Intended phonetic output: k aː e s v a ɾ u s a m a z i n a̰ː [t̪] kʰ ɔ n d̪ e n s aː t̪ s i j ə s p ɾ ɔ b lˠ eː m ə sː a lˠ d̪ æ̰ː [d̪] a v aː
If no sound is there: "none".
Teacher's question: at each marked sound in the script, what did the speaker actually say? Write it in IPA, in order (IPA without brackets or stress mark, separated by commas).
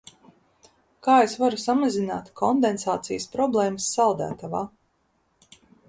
t̪, t̪